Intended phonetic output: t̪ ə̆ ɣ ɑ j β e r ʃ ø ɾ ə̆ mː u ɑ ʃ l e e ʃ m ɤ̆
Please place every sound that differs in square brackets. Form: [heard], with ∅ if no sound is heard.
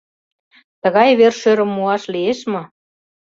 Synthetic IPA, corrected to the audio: t̪ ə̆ ɣ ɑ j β e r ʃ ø ɾ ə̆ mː u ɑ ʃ l [i] e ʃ m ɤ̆